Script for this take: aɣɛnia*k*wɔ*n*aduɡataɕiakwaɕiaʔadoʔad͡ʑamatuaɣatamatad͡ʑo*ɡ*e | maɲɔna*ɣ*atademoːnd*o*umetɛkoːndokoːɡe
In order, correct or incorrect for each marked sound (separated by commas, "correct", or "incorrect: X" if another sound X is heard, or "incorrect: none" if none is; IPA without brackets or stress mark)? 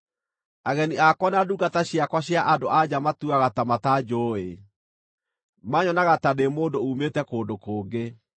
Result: correct, correct, incorrect: none, correct, correct